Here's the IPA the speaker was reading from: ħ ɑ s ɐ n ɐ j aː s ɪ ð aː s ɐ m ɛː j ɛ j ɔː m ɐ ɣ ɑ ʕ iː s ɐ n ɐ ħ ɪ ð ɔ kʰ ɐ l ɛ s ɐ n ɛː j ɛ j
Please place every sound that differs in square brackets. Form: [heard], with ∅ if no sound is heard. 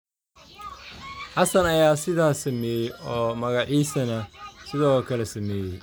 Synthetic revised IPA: ħ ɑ s ɐ n ɐ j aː s ɪ ð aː s ɐ m ɛː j ɛ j ɔː m ɐ ɣ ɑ ʕ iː s ɐ n ɐ [s] ɪ ð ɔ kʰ ɐ l ɛ s ɐ [m] ɛː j ɛ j